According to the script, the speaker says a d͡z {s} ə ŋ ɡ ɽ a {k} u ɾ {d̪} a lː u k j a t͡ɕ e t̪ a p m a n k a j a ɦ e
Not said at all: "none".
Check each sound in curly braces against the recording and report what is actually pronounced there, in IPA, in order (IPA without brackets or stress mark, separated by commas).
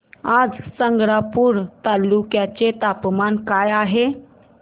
s, p, t̪